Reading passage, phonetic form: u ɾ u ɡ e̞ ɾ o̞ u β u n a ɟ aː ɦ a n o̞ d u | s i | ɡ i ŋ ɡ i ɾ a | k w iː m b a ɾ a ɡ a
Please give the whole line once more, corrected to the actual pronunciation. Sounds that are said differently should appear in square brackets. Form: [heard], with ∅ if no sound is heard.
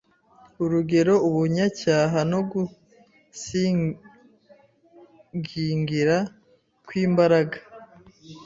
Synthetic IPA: u ɾ u ɡ e̞ ɾ o̞ u β u [ɲ] a [c] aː ɦ a n o̞ [ɡ] u | s i | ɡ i ŋ ɡ i ɾ a | k w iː m b a ɾ a ɡ a